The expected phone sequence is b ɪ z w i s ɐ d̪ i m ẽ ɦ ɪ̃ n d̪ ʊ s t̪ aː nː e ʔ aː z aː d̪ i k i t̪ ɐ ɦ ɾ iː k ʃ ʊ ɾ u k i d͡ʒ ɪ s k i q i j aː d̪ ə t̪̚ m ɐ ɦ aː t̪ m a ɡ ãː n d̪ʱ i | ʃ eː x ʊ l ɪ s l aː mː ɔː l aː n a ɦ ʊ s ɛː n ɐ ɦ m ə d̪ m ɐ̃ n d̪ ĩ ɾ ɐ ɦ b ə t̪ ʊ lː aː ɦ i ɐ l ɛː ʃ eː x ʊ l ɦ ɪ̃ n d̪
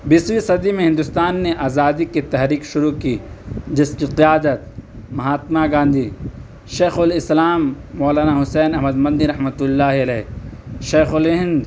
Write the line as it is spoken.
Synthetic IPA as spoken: b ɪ s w i s ɐ d̪ i m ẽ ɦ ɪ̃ n d̪ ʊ s t̪ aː nː e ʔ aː z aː d̪ i k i t̪ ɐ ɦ ɾ iː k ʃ ʊ ɾ u k i d͡ʒ ɪ s k i q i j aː d̪ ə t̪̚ m ɐ ɦ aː t̪ m a ɡ ãː n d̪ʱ i | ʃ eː x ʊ l ɪ s l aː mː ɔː l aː n a ɦ ʊ s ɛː n ɐ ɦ m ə d̪ m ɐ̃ n d̪ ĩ ɾ ɐ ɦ m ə t̪ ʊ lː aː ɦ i ɐ l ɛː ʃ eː x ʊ l ɦ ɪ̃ n d̪